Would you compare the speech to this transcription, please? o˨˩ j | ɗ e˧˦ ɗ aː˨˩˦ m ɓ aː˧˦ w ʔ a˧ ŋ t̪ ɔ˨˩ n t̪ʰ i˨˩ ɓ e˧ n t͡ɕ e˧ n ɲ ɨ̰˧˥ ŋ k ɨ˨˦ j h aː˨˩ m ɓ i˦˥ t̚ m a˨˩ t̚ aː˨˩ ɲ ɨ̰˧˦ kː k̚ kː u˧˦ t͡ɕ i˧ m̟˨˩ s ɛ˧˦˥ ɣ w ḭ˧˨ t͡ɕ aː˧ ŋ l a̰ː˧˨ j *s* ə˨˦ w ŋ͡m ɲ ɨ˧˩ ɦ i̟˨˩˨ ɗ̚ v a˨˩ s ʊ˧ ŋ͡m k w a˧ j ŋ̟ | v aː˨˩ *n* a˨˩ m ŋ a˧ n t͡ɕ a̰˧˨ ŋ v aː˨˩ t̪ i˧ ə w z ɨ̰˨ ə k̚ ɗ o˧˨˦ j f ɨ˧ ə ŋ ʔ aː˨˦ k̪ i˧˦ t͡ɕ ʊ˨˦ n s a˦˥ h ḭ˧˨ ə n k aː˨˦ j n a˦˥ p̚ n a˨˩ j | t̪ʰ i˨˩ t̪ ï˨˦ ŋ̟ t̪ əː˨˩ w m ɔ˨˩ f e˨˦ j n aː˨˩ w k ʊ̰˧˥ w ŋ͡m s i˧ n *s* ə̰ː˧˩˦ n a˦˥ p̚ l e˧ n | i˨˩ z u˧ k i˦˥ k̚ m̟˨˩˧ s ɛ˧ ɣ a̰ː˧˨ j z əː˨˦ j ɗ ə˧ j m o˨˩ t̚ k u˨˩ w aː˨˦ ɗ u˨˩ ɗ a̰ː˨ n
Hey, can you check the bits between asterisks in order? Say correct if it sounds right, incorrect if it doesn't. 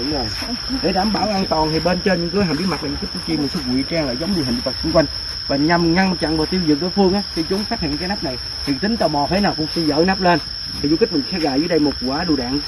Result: incorrect: z, incorrect: ɲ, incorrect: z

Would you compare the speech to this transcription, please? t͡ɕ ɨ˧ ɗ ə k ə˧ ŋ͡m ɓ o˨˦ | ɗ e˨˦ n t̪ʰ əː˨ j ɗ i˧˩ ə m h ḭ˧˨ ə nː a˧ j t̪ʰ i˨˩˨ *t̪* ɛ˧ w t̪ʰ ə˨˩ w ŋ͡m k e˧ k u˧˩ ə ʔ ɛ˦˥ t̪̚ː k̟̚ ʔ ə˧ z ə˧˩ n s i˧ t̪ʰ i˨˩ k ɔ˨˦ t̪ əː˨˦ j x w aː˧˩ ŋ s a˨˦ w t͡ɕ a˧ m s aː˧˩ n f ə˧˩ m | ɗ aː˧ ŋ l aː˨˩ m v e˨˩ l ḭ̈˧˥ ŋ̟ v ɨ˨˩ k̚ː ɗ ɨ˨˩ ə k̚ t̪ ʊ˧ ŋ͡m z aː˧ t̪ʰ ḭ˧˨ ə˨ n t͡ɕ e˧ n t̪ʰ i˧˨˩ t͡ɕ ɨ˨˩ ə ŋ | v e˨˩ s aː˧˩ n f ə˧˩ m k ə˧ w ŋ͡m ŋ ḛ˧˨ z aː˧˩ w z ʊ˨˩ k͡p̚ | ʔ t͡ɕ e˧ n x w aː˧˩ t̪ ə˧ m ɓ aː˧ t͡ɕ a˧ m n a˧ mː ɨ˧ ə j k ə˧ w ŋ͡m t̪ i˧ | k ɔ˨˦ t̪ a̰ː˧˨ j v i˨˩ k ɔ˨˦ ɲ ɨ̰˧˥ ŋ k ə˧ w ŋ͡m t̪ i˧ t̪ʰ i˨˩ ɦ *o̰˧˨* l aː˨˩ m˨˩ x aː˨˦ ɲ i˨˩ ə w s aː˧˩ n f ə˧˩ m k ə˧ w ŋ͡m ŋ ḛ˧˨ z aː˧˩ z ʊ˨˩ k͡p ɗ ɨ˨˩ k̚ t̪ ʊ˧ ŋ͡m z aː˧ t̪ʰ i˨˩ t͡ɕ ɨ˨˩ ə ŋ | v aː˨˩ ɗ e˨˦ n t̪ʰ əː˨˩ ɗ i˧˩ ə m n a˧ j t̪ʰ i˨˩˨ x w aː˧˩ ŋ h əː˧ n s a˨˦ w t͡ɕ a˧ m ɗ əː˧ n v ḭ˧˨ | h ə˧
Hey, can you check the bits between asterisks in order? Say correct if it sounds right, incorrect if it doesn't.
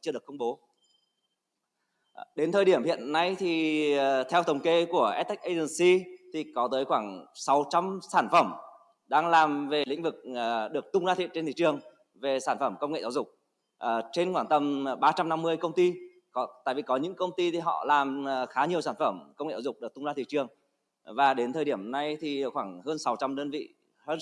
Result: incorrect: t̪ʰ, incorrect: ɔ̰˧˨

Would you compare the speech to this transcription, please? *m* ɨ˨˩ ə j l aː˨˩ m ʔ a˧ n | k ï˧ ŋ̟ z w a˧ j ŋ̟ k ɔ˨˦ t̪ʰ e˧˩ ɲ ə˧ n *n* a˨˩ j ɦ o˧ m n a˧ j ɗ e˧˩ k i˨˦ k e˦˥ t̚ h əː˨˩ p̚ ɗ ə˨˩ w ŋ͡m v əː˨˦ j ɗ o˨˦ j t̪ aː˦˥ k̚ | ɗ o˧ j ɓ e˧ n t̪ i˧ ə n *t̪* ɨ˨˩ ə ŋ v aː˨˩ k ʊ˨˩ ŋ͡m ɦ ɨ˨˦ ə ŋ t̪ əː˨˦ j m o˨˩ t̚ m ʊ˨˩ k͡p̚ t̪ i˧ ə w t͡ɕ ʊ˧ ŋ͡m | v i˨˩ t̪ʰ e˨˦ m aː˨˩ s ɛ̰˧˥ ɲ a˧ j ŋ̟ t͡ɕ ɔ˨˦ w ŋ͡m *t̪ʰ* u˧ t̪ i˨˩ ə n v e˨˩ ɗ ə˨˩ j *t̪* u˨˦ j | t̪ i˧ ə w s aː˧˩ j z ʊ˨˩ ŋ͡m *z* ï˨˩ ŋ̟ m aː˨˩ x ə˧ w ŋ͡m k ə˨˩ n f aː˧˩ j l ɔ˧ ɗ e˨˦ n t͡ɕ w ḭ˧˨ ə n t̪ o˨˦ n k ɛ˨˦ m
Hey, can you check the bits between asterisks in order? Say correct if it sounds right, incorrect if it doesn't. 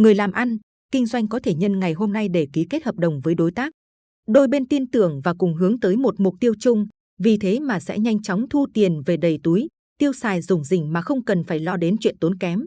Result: incorrect: ŋ, incorrect: ŋ, correct, correct, correct, correct

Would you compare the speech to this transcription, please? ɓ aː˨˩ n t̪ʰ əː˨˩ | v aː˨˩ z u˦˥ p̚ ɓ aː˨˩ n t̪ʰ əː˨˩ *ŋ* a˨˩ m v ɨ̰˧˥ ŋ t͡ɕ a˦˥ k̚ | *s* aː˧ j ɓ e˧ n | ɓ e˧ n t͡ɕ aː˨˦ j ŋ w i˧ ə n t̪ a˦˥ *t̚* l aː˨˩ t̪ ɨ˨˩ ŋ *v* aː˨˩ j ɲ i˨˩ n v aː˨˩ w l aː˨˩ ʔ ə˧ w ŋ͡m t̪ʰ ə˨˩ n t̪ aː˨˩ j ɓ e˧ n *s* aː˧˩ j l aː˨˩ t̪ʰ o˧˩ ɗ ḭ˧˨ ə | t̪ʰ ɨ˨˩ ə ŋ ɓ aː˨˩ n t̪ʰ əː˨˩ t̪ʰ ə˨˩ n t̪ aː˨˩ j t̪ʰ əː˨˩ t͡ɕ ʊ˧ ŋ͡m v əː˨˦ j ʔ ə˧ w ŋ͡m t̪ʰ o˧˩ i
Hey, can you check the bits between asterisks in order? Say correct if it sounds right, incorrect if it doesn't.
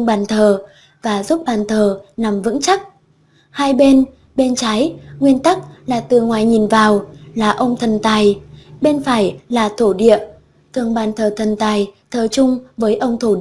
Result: incorrect: n, incorrect: h, incorrect: k̚, incorrect: w, incorrect: f

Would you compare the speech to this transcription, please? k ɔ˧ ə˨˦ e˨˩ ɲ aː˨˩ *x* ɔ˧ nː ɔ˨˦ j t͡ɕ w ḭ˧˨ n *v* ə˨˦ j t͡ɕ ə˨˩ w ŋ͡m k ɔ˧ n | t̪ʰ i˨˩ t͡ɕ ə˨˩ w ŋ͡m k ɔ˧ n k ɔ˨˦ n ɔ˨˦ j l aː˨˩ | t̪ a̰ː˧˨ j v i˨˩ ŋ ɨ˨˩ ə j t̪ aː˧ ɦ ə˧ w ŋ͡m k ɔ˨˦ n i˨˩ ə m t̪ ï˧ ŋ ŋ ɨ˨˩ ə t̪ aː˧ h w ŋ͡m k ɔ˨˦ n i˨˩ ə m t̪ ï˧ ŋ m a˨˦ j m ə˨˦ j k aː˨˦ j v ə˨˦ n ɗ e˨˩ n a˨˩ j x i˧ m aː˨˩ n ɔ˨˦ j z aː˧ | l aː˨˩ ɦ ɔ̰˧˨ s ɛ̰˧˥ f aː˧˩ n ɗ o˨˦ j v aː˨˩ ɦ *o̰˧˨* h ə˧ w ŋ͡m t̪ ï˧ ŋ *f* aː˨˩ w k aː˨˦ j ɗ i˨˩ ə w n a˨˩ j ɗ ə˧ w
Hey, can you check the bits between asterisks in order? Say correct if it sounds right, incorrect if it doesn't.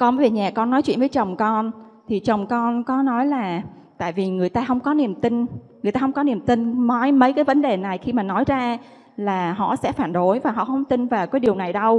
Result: incorrect: k, correct, incorrect: ɔ̰˧˨, incorrect: v

